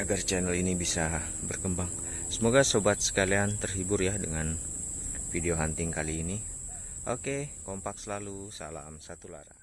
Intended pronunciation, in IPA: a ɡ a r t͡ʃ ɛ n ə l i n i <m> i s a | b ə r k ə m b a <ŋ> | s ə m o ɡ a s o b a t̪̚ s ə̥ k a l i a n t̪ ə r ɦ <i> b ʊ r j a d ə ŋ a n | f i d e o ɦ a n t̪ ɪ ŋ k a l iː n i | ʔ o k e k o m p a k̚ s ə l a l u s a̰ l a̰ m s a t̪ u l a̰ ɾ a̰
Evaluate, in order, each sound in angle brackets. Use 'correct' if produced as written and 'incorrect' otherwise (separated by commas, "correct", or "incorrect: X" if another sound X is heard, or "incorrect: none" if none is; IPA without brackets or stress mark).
incorrect: b, correct, correct